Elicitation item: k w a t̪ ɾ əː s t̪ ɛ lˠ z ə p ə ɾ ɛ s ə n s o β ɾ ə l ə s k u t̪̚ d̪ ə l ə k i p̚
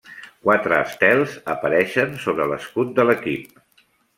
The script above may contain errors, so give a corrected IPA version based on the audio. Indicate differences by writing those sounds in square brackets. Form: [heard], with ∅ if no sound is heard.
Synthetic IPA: k w a t̪ ɾ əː s t̪ ɛ lˠ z ə p ə ɾ ɛ [ʃ] ə n s o β ɾ ə l ə s k u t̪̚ d̪ ə l ə k i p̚